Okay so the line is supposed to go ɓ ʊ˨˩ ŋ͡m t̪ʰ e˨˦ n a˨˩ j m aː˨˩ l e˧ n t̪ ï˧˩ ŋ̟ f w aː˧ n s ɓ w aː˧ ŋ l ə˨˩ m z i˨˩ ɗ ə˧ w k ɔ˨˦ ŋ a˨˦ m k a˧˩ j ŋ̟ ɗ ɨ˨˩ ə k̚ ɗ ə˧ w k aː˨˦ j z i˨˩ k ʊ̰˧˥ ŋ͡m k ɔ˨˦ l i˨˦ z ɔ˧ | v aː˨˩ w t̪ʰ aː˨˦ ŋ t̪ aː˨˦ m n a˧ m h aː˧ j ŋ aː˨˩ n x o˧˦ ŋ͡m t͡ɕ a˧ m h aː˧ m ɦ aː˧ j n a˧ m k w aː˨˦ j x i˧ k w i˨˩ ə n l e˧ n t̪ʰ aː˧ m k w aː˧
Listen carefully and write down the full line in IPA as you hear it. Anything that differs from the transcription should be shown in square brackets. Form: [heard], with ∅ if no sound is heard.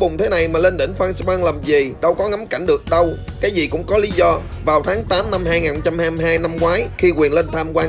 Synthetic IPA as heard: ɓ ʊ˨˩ ŋ͡m t̪ʰ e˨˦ n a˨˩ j m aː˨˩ l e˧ n t̪ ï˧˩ ŋ̟ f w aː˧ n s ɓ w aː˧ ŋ l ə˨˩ m z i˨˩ ɗ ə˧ w k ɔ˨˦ ŋ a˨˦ m k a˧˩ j ŋ̟ ɗ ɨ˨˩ ə k̚ ɗ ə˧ w k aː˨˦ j z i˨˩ k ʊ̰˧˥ ŋ͡m k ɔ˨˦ l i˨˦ z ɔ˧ | v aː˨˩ w t̪ʰ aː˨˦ ŋ t̪ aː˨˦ m n a˧ m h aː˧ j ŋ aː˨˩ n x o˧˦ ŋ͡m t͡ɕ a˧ m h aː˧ m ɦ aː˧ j n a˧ m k w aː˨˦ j x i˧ k w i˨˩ ə n l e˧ n t̪ʰ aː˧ m k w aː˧